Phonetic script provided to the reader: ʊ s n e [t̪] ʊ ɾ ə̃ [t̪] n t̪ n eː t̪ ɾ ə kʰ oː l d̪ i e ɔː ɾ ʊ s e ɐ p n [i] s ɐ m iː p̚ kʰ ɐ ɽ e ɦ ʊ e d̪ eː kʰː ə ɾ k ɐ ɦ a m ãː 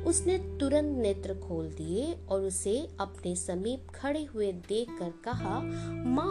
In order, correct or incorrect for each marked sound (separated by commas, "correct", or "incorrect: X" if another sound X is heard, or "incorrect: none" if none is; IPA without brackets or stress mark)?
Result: correct, incorrect: none, incorrect: e